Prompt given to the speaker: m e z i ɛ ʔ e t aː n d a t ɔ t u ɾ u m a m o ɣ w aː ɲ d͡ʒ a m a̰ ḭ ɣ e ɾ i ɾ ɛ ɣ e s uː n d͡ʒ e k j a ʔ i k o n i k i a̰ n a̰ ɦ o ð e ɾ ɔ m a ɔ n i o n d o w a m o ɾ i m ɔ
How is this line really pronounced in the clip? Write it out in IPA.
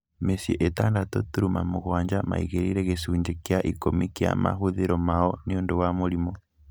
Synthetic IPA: m e s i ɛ ʔ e t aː n d a t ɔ t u ɾ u m a m o ɣ w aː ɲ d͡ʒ a m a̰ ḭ ɣ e ɾ i ɾ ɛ ɣ e s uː ɲ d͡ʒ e k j a ʔ i k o m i k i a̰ m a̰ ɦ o ð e ɾ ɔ m a ɔ n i o n d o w a m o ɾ i m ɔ